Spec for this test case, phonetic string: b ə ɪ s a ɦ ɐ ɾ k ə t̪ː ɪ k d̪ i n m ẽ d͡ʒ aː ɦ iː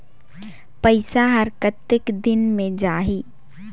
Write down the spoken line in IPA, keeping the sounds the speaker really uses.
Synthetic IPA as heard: p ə ɪ s a ɦ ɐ ɾ k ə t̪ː ɪ k d̪ ɪ n m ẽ d͡ʒ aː ɦ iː